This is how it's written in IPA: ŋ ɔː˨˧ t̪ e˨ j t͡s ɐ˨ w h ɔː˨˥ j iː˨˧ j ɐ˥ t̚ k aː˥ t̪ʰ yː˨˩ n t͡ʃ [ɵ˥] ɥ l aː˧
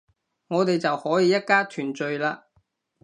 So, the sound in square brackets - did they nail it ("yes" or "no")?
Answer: no